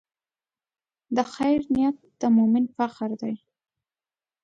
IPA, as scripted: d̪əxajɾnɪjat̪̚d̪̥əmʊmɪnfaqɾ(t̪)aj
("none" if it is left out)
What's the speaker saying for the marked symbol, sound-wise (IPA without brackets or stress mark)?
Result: d̪